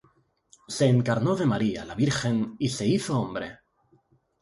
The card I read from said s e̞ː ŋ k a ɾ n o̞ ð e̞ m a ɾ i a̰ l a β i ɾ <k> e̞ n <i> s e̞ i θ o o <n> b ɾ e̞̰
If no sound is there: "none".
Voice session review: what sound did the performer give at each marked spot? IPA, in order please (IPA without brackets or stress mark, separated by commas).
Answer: x, i, m